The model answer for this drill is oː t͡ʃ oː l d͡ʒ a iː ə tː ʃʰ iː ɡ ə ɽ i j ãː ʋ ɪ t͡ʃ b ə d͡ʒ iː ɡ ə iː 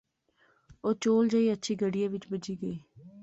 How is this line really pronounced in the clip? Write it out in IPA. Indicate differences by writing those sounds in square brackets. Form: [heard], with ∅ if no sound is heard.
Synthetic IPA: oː t͡ʃ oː l d͡ʒ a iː ə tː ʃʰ iː ɡ ə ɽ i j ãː ʋ ɪ t͡ʃ b ə d͡ʒ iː ɡ ə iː